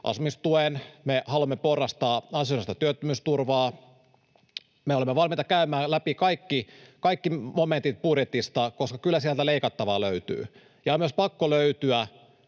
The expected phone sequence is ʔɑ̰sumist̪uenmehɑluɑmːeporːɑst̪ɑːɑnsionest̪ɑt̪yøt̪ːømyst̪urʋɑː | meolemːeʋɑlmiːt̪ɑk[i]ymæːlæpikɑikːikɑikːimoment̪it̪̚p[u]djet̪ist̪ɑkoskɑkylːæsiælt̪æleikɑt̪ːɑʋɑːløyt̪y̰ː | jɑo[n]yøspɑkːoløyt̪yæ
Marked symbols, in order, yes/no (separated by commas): no, yes, no